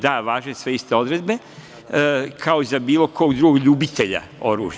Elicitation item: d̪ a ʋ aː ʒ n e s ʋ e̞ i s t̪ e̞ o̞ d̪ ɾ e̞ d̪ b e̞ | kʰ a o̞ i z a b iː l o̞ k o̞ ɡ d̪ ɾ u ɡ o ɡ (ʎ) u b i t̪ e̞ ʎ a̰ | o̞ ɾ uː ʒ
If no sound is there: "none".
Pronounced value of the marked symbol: ʎ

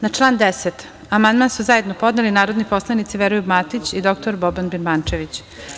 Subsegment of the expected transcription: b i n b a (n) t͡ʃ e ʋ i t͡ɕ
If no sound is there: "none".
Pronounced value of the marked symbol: n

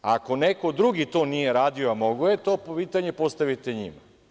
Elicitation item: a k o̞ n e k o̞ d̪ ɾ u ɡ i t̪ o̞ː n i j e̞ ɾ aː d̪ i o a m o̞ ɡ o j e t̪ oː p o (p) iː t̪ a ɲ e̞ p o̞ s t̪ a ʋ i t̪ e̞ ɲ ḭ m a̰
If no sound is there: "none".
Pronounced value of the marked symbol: p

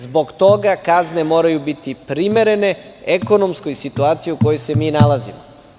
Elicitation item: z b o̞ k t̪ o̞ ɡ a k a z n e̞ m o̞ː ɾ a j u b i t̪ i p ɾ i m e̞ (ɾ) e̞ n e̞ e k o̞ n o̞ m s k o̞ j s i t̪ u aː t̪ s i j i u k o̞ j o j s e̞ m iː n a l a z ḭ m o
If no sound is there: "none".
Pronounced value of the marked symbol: ɾ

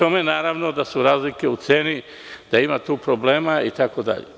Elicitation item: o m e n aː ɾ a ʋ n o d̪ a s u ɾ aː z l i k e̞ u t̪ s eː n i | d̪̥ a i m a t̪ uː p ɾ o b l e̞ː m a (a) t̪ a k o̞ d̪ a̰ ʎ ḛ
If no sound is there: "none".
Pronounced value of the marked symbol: i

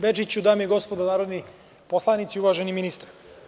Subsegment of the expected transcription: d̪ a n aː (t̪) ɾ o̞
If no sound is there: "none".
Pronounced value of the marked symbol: none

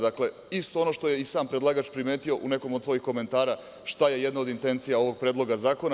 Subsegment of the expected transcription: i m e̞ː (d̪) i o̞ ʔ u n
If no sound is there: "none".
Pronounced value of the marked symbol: t̪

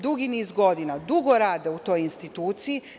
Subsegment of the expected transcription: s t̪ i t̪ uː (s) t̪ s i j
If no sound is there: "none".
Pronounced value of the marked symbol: none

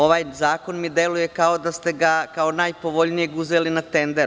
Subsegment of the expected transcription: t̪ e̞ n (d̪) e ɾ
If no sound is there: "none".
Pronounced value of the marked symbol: d̪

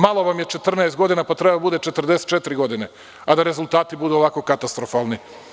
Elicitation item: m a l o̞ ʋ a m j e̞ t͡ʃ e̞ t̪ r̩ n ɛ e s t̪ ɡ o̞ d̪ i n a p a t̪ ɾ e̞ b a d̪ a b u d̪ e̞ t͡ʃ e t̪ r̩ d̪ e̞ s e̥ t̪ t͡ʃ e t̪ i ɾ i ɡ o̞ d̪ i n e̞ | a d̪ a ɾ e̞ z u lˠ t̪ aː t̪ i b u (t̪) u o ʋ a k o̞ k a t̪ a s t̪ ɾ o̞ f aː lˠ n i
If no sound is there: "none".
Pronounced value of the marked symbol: d̪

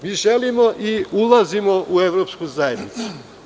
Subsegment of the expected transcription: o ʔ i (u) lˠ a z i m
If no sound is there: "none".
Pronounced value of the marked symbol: u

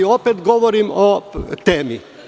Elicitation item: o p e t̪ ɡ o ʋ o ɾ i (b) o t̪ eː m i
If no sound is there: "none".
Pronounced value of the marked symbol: m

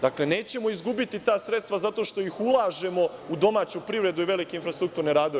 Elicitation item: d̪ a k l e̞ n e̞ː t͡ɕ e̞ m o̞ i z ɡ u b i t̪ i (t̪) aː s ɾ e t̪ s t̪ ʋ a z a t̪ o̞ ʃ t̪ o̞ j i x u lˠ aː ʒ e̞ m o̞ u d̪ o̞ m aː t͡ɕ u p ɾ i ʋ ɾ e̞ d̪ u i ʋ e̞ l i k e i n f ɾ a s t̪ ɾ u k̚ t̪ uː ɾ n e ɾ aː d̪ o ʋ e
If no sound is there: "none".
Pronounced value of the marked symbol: t̪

